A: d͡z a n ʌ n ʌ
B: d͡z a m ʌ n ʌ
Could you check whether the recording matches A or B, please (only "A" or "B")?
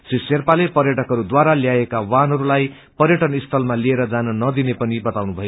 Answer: A